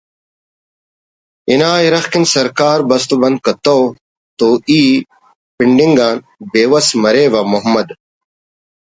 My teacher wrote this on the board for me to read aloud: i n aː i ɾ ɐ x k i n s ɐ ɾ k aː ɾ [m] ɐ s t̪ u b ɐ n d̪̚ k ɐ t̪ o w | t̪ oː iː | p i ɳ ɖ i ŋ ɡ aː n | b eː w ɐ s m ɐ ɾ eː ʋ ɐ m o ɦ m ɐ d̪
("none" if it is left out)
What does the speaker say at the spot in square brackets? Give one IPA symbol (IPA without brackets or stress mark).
b